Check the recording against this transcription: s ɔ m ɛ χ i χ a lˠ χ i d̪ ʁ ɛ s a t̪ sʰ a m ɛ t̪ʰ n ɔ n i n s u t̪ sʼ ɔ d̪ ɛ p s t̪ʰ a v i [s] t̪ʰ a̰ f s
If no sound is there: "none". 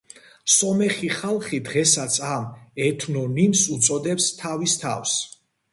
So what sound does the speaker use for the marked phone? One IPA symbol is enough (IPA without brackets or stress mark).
s